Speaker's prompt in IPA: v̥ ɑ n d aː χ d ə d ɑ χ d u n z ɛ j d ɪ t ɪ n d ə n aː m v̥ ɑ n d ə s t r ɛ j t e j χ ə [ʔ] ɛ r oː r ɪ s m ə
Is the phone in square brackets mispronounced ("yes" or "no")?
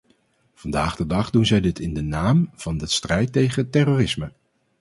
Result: yes